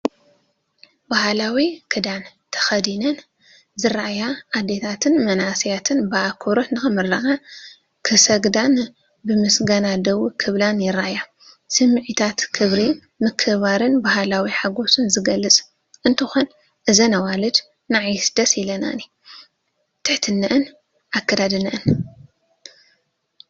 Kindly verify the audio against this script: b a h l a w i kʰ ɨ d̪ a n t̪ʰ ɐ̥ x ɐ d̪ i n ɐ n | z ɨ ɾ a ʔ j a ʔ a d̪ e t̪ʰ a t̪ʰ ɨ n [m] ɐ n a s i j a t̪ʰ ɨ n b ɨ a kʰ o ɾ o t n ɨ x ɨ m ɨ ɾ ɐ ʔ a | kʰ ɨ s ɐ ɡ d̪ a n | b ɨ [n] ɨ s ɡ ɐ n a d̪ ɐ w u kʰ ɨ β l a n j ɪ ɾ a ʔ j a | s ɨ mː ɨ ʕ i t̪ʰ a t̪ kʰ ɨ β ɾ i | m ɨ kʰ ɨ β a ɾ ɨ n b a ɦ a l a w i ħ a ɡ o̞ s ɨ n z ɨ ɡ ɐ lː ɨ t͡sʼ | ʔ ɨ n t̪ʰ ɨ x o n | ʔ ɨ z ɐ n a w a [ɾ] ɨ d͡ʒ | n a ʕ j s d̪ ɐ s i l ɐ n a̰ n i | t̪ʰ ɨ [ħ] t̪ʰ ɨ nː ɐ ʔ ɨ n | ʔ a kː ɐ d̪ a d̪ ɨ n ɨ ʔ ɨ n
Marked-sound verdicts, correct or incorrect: correct, incorrect, incorrect, correct

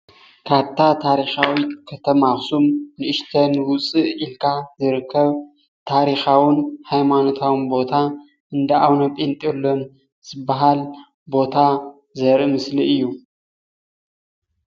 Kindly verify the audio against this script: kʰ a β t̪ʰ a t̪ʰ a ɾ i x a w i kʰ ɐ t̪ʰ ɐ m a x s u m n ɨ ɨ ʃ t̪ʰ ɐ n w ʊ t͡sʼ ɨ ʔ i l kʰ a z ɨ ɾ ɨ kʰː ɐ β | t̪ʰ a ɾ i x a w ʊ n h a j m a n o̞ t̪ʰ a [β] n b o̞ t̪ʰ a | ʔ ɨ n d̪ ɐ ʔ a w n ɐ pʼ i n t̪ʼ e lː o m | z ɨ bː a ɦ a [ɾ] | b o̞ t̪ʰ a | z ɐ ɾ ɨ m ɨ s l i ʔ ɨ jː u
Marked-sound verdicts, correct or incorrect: incorrect, incorrect

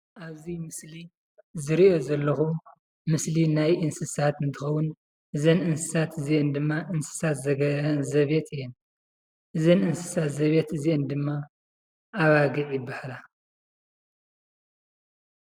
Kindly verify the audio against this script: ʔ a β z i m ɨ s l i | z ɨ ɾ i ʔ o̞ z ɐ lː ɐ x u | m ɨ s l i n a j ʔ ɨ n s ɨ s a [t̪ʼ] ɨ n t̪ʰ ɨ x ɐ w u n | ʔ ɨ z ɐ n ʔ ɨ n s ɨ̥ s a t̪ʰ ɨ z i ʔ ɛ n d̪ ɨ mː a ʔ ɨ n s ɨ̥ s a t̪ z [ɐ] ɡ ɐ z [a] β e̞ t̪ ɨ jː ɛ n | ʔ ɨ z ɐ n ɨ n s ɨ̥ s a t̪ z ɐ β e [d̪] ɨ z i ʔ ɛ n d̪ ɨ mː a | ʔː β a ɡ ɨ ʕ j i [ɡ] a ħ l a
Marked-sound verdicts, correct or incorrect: incorrect, correct, incorrect, incorrect, incorrect

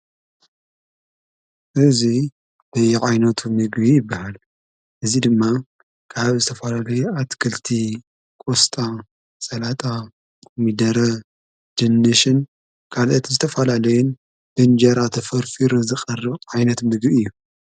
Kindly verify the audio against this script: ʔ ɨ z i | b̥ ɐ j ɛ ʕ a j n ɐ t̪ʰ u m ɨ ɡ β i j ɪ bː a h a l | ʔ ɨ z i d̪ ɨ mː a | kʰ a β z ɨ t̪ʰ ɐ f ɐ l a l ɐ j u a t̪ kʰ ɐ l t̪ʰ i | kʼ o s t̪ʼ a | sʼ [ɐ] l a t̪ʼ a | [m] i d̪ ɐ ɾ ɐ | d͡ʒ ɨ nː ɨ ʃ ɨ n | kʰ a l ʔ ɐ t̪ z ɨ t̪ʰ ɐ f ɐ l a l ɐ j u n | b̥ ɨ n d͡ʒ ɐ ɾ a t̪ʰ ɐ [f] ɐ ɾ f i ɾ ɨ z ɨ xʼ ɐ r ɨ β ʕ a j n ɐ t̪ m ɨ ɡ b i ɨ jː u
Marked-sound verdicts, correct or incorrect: correct, correct, correct

